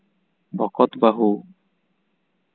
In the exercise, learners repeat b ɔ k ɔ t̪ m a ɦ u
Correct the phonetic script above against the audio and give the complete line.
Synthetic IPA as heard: b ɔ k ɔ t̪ b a ɦ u